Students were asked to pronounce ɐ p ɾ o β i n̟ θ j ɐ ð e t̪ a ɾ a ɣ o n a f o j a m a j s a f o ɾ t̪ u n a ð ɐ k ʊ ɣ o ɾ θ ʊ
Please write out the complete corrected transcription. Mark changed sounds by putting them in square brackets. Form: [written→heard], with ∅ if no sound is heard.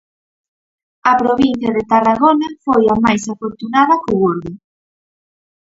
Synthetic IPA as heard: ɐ p ɾ o β i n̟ θ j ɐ ð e t̪ a [ɾ→r] a ɣ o n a f o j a m a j s a f o ɾ t̪ u n a ð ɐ k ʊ ɣ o ɾ [θ→ð] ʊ